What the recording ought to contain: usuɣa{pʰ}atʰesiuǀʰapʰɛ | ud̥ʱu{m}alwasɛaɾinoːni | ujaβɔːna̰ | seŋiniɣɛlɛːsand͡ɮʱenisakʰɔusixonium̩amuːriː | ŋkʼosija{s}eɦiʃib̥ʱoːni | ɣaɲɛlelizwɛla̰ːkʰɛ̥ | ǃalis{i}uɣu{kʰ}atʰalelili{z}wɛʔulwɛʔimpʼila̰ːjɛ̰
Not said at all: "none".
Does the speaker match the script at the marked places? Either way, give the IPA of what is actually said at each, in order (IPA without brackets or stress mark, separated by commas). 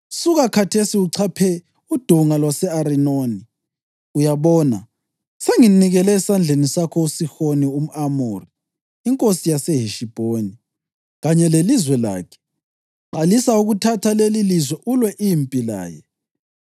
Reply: kʰ, ŋ, s, a, tʰ, z